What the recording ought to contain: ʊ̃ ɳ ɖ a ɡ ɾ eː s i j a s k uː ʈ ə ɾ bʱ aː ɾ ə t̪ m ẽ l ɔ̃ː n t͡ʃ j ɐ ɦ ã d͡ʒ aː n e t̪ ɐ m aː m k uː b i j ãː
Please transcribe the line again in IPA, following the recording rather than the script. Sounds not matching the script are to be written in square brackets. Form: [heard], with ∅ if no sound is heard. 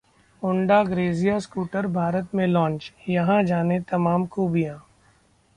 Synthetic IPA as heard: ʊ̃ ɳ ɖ a ɡ ɾ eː [z] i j a s k uː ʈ ə ɾ bʱ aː ɾ ə t̪ m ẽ l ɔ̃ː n t͡ʃ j ɐ ɦ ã d͡ʒ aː n e t̪ ɐ m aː m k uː b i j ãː